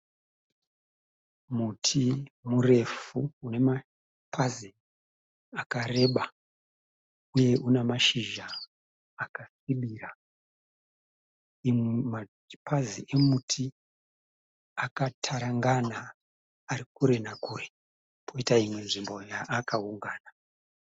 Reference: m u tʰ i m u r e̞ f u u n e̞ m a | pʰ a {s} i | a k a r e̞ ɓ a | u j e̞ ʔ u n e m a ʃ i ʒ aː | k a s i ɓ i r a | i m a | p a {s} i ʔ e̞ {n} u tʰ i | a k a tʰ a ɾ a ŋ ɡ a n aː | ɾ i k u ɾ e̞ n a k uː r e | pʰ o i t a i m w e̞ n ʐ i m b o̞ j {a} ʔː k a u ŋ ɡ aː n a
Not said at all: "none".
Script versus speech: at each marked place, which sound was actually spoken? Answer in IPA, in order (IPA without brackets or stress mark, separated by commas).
z, z, m, a